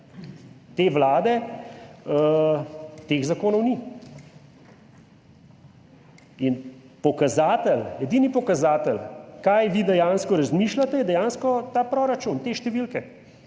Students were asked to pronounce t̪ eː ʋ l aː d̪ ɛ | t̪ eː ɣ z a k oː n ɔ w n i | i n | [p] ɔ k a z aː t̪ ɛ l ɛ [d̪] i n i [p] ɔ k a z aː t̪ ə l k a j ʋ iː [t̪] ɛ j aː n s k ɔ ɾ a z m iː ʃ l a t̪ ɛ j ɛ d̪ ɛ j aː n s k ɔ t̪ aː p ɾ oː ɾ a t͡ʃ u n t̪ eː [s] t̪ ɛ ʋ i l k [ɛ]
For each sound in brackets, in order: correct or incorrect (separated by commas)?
correct, correct, correct, incorrect, incorrect, correct